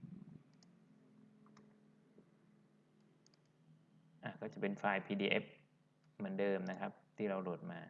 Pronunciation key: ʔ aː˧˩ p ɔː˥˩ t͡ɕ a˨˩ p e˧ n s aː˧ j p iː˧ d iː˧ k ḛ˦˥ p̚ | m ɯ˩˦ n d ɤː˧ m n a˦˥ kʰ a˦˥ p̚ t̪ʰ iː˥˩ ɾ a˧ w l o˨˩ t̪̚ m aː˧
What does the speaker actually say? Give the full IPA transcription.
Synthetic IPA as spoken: ʔ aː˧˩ k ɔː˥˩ t͡ɕ a˨˩ p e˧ n f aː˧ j pʰ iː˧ d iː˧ ʔ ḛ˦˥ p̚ | m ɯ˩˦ n d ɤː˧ m n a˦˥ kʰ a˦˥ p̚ t̪ʰ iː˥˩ ɾ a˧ w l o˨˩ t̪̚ m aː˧